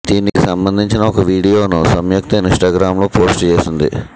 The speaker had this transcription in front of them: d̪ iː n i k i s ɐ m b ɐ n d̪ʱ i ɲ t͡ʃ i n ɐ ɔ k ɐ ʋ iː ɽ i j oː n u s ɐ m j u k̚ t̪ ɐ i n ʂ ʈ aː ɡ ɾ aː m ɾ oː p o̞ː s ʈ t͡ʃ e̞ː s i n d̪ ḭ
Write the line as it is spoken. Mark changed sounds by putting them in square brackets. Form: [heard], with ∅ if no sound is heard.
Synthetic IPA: d̪ iː n i k i s ɐ m b ɐ n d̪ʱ i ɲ t͡ʃ i n ɐ ɔ k ɐ ʋ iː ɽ i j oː n u s ɐ m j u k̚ t̪ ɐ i n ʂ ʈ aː ɡ ɾ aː m [l] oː p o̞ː s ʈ t͡ʃ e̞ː s i n d̪ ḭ

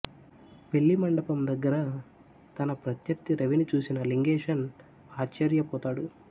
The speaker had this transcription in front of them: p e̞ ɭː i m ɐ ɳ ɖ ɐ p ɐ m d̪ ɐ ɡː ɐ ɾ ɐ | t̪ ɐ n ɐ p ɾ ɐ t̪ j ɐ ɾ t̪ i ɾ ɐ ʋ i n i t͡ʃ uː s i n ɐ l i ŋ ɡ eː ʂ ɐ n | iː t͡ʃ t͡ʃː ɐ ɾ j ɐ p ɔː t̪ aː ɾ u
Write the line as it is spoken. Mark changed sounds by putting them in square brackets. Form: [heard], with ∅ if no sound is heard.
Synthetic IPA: p e̞ ɭː i m ɐ ɳ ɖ ɐ p ɐ m d̪ ɐ ɡː ɐ ɾ ɐ | t̪ ɐ n ɐ p ɾ ɐ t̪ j ɐ ɾ t̪ i ɾ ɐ ʋ i n i t͡ʃ uː s i n ɐ l i ŋ ɡ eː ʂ ɐ n | [aː] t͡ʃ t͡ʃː ɐ ɾ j ɐ p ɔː t̪ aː [ɽ] u

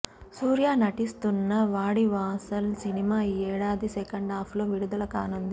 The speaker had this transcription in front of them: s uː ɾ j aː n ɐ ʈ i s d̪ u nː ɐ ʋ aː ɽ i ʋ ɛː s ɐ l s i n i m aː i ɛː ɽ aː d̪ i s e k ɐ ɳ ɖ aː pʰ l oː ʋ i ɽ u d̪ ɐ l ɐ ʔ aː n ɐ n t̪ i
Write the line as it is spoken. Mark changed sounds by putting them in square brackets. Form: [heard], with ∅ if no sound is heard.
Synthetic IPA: s uː ɾ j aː n ɐ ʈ i s [t̪] u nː ɐ ʋ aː ɽ i ʋ [aː] s ɐ l s i n i m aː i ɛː ɽ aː d̪ i s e k ɐ ɳ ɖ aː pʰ l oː ʋ i ɽ u d̪ ɐ l ɐ [k] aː n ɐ n [d̪] i

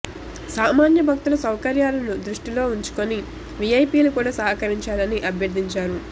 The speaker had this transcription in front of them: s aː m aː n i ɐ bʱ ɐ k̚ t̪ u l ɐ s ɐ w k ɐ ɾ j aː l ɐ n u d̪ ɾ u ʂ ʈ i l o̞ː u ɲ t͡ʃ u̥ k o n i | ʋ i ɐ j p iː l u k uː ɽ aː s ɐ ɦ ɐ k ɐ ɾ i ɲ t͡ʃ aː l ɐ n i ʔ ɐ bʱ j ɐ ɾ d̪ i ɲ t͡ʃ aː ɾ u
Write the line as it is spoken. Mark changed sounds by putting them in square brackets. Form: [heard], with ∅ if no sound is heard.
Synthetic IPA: s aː m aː n [j] ɐ bʱ ɐ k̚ t̪ u l ɐ s ɐ w k ɐ ɾ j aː l ɐ n u d̪ ɾ u ʂ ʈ i l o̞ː u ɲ t͡ʃ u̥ k o n i | ʋ i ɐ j p iː l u k uː ɽ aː s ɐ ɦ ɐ k ɐ ɾ i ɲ t͡ʃ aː l ɐ n i ʔ ɐ bʱ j ɐ ɾ d̪ i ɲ t͡ʃ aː ɾ u

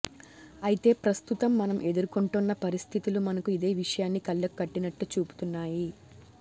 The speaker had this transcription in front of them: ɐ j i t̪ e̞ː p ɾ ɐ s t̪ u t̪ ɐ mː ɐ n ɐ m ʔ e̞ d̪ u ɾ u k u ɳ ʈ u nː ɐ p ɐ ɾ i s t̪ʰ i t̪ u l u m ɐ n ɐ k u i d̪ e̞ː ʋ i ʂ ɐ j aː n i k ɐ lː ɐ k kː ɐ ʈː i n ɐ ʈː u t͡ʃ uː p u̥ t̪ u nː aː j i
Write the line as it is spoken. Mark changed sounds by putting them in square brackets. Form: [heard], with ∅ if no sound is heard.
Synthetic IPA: ɐ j i t̪ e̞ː p ɾ ɐ s t̪ u t̪ ɐ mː ɐ n ɐ m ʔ e̞ d̪ u ɾ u k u ɳ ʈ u nː ɐ p ɐ ɾ i s t̪ʰ i t̪ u l u m ɐ n ɐ k u i d̪ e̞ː ʋ i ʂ ɐ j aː [nː] i k ɐ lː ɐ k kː ɐ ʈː i n ɐ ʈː u t͡ʃ uː p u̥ t̪ u nː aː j i

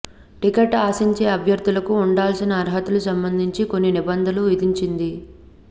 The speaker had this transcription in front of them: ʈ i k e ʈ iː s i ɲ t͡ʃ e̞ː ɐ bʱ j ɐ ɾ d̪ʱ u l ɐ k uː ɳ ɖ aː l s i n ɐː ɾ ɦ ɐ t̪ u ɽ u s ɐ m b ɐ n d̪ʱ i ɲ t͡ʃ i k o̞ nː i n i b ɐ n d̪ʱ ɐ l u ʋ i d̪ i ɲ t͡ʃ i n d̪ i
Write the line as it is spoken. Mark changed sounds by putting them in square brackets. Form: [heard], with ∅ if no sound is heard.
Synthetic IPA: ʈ i k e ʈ [aː] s i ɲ t͡ʃ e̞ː ɐ bʱ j ɐ ɾ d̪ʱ u l ɐ k uː ɳ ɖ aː l s i n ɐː ɾ ɦ ɐ t̪ u [l] u s ɐ m b ɐ n d̪ʱ i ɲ t͡ʃ i k o̞ nː i n i b ɐ n d̪ʱ ɐ l u ʋ i d̪ i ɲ t͡ʃ i n d̪ i

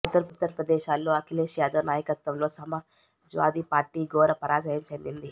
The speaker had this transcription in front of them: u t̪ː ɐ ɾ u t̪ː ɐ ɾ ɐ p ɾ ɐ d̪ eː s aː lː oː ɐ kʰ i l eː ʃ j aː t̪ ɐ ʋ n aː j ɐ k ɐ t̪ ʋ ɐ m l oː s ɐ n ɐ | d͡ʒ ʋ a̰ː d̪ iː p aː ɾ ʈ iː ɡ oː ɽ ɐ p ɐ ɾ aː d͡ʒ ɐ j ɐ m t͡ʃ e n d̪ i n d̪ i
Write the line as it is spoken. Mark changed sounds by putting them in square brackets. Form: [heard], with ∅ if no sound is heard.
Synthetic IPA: u t̪ː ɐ ɾ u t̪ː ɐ ɾ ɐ p ɾ ɐ d̪ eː [ʃ] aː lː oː ɐ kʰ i l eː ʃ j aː [d̪] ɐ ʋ n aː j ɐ k ɐ t̪ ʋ ɐ m l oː s ɐ [m] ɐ | d͡ʒ ʋ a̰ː d̪ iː p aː ɾ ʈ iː ɡ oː [ɾ] ɐ p ɐ ɾ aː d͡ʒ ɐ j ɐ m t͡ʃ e n d̪ i n d̪ i

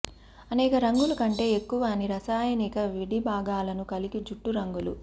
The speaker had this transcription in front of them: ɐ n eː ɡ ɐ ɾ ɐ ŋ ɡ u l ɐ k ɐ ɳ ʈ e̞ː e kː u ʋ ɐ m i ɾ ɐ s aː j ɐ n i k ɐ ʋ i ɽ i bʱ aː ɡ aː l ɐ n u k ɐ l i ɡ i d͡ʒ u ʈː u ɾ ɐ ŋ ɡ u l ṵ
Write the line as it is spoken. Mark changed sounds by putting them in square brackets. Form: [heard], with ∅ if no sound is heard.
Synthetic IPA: ɐ n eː [k] ɐ ɾ ɐ ŋ ɡ u l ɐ k ɐ ɳ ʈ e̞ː e kː u ʋ ɐ [n] i ɾ ɐ s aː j ɐ n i k ɐ ʋ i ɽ i bʱ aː ɡ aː l ɐ n u k ɐ l i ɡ i d͡ʒ u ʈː u ɾ ɐ ŋ ɡ u l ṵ

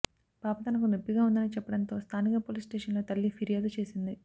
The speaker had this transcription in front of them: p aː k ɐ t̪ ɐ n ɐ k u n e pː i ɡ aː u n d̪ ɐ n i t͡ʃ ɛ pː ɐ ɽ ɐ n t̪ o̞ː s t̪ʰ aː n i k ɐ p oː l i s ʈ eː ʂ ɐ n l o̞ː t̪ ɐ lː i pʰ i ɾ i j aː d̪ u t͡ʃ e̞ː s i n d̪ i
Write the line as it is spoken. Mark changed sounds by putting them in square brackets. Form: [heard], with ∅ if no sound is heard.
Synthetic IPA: p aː [p] ɐ t̪ ɐ n ɐ k u n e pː i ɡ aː u n d̪ ɐ n i t͡ʃ ɛ pː ɐ ɽ ɐ n t̪ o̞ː s t̪ʰ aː n i k ɐ p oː l i s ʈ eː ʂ ɐ n l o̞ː t̪ ɐ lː i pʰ i ɾ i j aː d̪ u t͡ʃ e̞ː s i n d̪ i

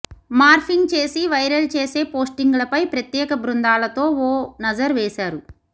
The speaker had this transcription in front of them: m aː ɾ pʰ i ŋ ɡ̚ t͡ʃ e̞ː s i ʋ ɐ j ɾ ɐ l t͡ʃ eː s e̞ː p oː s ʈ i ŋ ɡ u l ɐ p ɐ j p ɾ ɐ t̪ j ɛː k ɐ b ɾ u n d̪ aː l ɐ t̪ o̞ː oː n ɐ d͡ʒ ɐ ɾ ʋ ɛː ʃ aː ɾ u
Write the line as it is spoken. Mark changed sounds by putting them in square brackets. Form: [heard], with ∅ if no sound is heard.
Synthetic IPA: m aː ɾ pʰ i ŋ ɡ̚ t͡ʃ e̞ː s i ʋ ɐ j ɾ ɐ l t͡ʃ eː s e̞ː p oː s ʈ i ŋ ɡ u l ɐ p ɐ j p ɾ ɐ t̪ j ɛː k ɐ b ɾ u n d̪ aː l ɐ t̪ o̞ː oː n ɐ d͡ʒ ɐ ɾ ʋ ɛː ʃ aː ɾ u

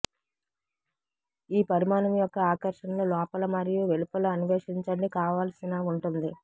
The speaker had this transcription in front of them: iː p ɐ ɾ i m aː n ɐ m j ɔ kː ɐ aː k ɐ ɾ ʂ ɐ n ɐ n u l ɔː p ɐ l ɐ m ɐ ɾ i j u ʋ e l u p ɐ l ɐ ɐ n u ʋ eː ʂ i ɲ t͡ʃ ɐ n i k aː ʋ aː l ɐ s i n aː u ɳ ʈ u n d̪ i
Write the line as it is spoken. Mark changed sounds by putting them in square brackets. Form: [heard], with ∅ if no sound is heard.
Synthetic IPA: iː p ɐ ɾ i m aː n ɐ m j ɔ kː ɐ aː k ɐ ɾ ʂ ɐ n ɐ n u l ɔː p ɐ l ɐ m ɐ ɾ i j u ʋ e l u p ɐ l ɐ ɐ n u ʋ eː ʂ i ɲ t͡ʃ ɐ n i k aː ʋ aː l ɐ s i n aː u ɳ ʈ u n d̪ i

